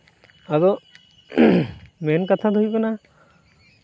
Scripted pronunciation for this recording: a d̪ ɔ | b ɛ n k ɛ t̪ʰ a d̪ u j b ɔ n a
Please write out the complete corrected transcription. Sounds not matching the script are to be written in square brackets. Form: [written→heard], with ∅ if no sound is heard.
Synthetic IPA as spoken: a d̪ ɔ | [b→m] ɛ n k [ɛ→a] t̪ʰ a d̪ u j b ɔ n a